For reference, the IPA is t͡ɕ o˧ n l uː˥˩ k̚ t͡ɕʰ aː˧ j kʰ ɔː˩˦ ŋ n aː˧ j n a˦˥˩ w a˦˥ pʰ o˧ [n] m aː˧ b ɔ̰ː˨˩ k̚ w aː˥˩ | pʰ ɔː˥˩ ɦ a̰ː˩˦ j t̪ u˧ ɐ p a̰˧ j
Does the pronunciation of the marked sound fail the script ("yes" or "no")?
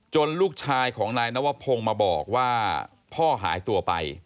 yes